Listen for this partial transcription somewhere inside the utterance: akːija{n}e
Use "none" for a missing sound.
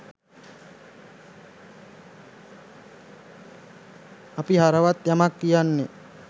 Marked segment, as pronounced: nː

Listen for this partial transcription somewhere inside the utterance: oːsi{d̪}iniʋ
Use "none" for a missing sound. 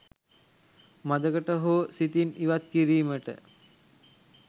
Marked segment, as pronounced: t̪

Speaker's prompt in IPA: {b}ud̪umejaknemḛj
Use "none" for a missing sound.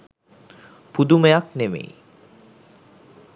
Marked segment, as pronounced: p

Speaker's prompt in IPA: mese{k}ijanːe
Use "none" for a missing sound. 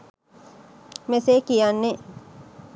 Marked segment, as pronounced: k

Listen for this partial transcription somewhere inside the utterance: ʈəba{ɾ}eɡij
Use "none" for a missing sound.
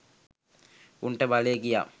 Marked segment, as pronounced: l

